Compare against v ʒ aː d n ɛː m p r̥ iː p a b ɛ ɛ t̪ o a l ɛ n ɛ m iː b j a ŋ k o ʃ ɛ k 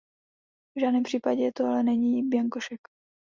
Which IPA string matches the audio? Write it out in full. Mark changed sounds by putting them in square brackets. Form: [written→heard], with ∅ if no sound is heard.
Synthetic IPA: v ʒ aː d n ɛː m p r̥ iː p a [b→ɟ] ɛ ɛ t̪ o a l ɛ n ɛ [m→ɲ] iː b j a ŋ k o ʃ ɛ k